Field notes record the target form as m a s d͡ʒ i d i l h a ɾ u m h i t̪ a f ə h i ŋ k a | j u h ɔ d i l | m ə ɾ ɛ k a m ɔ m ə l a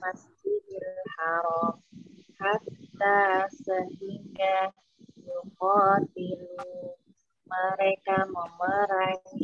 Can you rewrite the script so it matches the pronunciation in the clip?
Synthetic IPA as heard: m a s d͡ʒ i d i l h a ɾ ɔ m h a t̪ a s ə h i ŋ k a | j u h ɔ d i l | m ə ɾ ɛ k a m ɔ m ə ɾ a